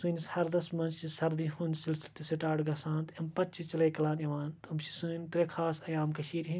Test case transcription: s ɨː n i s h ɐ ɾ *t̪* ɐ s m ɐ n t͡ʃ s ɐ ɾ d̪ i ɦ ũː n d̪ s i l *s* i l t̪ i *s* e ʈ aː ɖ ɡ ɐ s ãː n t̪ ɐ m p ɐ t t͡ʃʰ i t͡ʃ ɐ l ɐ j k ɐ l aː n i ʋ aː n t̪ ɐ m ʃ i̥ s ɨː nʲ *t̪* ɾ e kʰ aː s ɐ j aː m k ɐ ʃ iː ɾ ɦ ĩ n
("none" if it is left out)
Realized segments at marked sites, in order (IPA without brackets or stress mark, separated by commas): d̪, s, s, t̪